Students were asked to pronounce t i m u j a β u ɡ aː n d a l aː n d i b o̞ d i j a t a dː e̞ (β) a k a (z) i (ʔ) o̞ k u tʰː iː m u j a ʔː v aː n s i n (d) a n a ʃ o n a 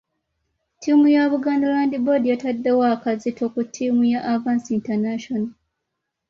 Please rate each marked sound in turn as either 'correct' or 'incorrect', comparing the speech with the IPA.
incorrect: w, correct, incorrect: t, incorrect: t

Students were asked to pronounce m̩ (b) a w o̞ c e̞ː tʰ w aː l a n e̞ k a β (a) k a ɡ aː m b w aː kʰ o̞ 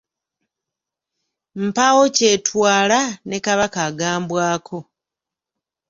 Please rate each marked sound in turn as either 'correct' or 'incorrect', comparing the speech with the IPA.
incorrect: p, correct

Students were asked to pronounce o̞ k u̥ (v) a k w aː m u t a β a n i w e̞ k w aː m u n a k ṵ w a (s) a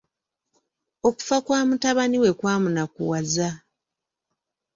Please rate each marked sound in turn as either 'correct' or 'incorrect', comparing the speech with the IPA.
incorrect: f, incorrect: z

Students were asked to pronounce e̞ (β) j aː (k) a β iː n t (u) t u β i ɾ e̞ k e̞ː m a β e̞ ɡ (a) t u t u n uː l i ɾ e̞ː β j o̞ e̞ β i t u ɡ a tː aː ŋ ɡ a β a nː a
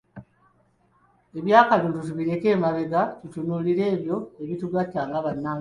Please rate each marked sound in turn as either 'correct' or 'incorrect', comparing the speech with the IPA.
correct, correct, correct, correct

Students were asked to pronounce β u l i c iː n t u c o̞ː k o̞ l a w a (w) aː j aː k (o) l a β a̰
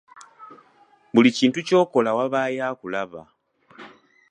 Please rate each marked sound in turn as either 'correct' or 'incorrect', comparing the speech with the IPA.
incorrect: β, incorrect: u

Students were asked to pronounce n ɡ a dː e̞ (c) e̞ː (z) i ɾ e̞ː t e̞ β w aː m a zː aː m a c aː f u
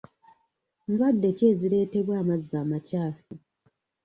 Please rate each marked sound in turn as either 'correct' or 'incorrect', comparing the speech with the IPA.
correct, correct

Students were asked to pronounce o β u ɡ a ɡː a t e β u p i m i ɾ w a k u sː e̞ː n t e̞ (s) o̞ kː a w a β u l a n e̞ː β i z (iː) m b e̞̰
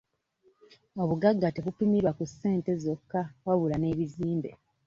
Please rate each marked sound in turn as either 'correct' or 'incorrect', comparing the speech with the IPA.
incorrect: z, correct

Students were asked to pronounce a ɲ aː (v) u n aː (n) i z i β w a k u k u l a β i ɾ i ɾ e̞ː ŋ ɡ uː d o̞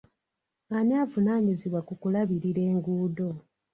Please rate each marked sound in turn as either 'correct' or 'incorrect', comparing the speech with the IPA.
correct, incorrect: ɲ

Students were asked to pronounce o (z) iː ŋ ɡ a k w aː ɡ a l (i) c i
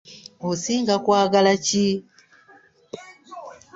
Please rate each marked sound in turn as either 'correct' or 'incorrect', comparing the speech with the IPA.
incorrect: s, incorrect: a

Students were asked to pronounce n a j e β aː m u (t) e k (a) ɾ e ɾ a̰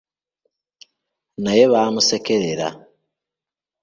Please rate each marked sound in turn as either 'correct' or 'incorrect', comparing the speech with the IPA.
incorrect: s, incorrect: e

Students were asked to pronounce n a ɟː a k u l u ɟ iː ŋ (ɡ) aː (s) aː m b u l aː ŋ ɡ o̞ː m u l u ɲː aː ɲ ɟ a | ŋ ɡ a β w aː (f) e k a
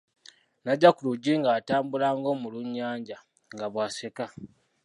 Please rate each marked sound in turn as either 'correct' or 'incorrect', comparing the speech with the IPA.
correct, incorrect: t, incorrect: s

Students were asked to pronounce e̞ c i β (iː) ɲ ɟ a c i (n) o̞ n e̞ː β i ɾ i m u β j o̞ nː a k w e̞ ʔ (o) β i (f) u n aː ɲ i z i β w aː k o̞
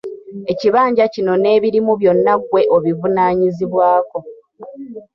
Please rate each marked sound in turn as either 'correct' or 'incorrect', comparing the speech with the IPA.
incorrect: aː, correct, correct, incorrect: v

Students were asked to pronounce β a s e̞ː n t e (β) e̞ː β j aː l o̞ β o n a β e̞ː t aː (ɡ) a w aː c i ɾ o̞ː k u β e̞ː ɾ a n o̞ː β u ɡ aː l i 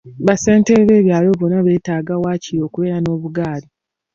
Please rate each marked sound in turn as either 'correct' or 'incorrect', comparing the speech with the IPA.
correct, correct

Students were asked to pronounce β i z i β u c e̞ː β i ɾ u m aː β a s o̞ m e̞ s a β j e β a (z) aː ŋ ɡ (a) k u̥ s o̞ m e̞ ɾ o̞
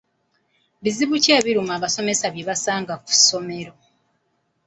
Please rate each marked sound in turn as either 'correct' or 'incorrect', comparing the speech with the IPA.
incorrect: s, correct

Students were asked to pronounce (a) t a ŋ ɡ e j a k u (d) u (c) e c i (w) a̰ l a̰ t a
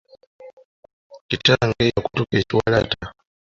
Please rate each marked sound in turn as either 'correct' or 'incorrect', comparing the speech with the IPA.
incorrect: i, incorrect: t, incorrect: k, correct

